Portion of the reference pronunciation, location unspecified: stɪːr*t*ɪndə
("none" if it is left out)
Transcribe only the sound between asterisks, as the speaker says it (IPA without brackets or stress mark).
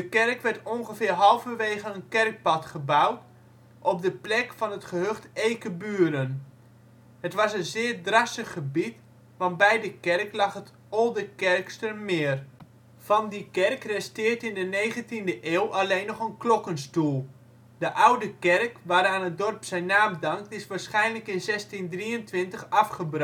t